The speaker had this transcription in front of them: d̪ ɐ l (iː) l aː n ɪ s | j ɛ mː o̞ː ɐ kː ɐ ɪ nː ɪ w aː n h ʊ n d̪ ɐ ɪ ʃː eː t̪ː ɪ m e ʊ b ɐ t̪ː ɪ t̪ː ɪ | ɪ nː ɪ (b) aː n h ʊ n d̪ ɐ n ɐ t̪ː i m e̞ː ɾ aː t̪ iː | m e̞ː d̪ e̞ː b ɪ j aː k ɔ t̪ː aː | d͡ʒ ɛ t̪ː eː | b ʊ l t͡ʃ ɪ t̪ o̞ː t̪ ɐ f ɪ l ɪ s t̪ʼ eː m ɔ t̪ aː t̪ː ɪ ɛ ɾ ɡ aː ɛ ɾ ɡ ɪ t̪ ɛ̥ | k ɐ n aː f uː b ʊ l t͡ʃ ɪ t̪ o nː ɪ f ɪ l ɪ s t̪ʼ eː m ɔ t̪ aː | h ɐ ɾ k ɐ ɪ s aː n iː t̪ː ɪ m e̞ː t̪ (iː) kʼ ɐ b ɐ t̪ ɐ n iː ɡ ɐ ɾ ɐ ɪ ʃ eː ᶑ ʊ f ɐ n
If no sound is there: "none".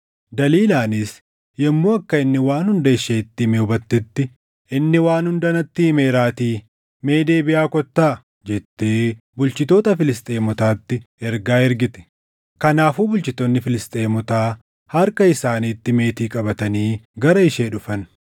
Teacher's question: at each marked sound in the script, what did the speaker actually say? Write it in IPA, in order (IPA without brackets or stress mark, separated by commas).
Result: iː, w, iː